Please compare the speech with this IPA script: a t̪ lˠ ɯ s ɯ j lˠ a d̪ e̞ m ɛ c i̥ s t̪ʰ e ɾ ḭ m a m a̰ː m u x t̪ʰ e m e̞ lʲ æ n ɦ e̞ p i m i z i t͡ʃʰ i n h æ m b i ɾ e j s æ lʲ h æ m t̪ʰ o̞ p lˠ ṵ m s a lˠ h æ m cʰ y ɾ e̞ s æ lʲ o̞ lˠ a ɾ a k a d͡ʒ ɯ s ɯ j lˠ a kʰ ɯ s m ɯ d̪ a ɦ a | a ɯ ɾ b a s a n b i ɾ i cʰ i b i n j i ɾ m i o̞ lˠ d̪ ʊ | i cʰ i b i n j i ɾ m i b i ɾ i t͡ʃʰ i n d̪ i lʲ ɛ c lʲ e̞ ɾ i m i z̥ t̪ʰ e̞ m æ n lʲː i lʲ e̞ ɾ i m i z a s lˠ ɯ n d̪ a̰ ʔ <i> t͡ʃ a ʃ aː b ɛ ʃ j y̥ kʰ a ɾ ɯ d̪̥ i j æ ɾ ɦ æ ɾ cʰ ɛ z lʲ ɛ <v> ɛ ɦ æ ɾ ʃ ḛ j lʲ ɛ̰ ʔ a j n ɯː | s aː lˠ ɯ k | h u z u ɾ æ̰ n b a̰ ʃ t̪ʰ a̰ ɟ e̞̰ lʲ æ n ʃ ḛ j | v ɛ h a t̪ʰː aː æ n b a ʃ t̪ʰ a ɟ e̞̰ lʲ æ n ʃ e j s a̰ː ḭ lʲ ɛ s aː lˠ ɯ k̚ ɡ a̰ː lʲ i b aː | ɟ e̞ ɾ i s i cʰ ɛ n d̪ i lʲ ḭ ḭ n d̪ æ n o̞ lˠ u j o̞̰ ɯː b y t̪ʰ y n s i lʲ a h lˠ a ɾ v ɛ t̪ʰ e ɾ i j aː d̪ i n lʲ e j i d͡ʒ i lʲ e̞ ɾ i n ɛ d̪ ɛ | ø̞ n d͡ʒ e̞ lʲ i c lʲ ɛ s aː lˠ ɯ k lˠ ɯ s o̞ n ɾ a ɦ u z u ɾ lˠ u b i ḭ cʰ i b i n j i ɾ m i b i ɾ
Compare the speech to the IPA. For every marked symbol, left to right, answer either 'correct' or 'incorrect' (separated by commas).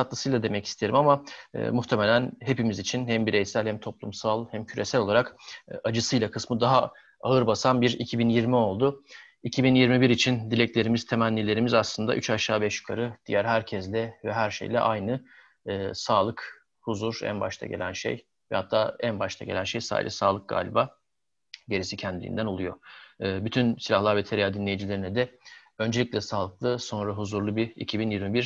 incorrect, correct